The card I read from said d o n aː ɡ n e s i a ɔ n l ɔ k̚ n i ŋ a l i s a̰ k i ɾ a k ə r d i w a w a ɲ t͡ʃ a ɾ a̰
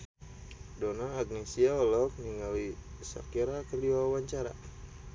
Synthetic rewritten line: d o n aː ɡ n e s i a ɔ l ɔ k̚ n i ŋ a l i s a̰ k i ɾ a k ə r d i w a w a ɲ t͡ʃ a ɾ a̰

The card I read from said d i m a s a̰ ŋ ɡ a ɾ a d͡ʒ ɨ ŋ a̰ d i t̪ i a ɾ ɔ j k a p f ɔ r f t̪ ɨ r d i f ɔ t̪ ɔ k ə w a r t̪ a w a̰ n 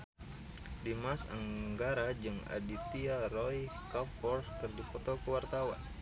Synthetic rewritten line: d i m a s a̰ ŋ ɡ a ɾ a d͡ʒ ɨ ŋ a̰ d i t̪ i a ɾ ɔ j k a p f ɔ r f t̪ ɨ r d i f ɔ t̪ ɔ k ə w a r t̪ a w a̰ n

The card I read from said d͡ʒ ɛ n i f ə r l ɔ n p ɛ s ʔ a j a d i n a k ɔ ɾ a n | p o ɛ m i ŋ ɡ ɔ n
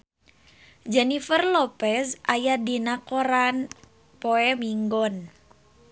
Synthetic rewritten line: d͡ʒ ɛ n i f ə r l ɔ p ɛ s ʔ a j a d i n a k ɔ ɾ a n | p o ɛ m i ŋ ɡ ɔ n

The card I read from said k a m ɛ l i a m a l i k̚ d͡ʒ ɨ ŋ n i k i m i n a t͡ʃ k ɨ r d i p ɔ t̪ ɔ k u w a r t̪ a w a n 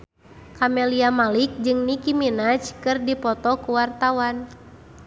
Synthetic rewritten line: k a m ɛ l i a m a l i k̚ d͡ʒ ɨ ŋ n i k i m i n a t͡ʃ k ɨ r d i p ɔ t̪ ɔ k u w a r t̪ a w a n

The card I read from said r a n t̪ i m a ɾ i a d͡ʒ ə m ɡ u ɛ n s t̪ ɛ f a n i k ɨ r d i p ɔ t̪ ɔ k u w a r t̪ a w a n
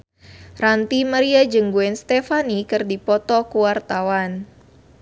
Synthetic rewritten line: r a n t̪ i m a ɾ i a d͡ʒ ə ŋ ɡ u ɛ n s t̪ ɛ f a n i k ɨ r d i p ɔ t̪ ɔ k u w a r t̪ a w a n

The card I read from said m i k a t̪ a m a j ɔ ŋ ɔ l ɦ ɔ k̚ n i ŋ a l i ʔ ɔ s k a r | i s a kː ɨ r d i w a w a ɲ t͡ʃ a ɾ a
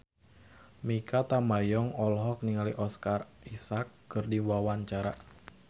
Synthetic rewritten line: m i k a t̪ a m a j ɔ ŋ ɔ l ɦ ɔ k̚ n i ŋ a l i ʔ ɔ s k a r | i s a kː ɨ r d i w a w a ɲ t͡ʃ a ɾ a

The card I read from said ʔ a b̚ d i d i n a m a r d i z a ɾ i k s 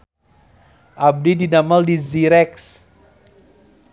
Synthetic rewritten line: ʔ a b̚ d i d i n a m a l d i z i ɾ ɛ k s

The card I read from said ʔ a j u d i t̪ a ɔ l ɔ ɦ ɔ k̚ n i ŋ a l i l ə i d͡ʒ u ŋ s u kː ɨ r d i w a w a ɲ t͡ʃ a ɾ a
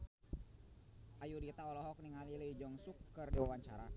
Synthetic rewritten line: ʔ a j u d i t̪ a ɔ l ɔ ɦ ɔ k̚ n i ŋ a l i l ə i d͡ʒ ɔ ŋ s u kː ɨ r d i w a w a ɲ t͡ʃ a ɾ a

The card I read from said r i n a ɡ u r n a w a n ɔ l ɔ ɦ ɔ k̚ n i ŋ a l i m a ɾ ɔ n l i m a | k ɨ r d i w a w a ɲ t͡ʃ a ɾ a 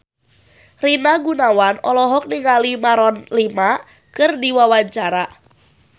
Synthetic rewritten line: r i n a ɡ u n a w a n ɔ l ɔ ɦ ɔ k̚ n i ŋ a l i m a ɾ ɔ n l i m a | k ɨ r d i w a w a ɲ t͡ʃ a ɾ a

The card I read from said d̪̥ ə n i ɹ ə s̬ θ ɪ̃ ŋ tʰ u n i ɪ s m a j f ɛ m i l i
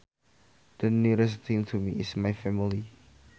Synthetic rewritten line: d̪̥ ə n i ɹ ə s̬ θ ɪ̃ ŋ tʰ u m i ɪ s m a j f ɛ m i l i

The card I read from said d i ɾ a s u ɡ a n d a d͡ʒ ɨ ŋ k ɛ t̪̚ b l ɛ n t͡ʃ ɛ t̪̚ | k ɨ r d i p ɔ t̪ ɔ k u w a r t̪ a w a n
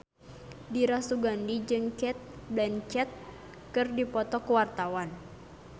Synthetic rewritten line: d i ɾ a s u ɡ a n d i d͡ʒ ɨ ŋ k ɛ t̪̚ b l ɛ n t͡ʃ ɛ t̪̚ | k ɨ r d i p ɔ t̪ ɔ k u w a r t̪ a w a n

